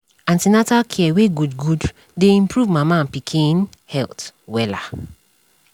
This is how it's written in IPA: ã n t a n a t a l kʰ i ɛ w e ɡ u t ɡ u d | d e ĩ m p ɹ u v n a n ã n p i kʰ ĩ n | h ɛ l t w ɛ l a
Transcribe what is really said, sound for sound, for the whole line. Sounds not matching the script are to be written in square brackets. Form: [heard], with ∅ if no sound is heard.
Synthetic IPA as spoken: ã n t [i] n a t a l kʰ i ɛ w e ɡ u [d] ɡ u d | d e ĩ m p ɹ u v [m] a [m] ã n p i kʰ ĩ n | h ɛ l t w ɛ l a